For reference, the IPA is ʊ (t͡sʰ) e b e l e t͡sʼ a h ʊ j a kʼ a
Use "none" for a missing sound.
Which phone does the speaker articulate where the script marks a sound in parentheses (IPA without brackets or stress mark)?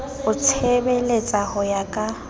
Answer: t͡sʰ